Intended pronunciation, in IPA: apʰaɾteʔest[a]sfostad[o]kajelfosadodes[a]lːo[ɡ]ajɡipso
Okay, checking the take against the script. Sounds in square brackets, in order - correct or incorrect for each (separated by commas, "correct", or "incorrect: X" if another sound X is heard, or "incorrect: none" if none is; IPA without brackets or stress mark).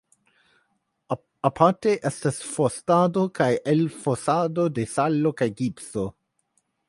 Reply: correct, correct, correct, incorrect: k